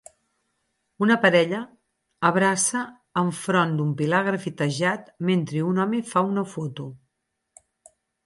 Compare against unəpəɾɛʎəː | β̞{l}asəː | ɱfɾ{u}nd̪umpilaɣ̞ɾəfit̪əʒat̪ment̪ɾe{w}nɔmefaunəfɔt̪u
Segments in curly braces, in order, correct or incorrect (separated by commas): incorrect, incorrect, incorrect